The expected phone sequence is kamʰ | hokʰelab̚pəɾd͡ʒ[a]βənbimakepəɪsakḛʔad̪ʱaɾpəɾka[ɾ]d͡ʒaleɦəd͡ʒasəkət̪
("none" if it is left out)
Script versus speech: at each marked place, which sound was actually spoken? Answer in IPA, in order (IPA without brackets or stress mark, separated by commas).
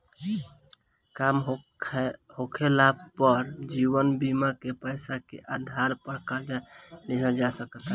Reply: i, ɾ